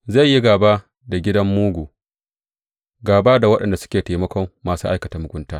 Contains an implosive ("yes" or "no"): yes